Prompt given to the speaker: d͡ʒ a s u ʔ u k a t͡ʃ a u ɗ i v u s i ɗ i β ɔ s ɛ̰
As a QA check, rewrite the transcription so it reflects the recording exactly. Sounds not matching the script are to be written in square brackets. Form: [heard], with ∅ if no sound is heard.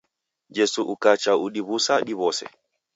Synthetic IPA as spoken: d͡ʒ [ɛ] s u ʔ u k a t͡ʃ a u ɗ i [β] u s [a] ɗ i β ɔ s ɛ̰